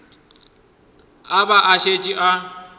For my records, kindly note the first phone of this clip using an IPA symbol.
a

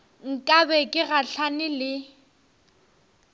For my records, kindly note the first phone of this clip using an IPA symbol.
ŋ̩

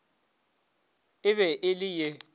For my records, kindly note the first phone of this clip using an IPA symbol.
ɪ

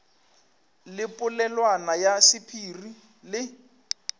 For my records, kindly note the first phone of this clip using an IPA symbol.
l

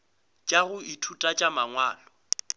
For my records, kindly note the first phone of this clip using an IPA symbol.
t͡ʃʼ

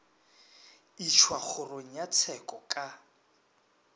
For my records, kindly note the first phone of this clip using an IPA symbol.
i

